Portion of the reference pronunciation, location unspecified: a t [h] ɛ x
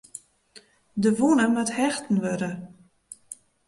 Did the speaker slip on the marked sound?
no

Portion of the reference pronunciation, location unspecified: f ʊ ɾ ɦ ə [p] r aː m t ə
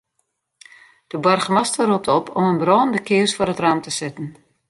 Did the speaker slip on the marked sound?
yes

